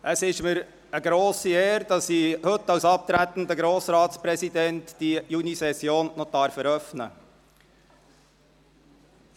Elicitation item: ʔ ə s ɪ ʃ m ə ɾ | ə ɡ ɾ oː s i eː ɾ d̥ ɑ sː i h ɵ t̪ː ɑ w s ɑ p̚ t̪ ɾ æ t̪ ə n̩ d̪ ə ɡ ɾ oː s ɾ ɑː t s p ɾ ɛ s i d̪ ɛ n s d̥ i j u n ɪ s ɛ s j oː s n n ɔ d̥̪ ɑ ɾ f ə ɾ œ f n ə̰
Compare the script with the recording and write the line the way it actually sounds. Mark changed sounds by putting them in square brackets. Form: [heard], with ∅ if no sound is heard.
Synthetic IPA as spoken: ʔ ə s ɪ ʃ m ə ɾ | ə ɡ ɾ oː s i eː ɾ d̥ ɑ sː i h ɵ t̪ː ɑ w s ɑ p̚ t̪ ɾ æ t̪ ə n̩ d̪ ə ɡ ɾ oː s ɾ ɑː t s p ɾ ɛ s i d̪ ɛ n [t] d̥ i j u n [i] s ɛ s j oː [∅] n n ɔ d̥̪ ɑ ɾ f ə ɾ œ f n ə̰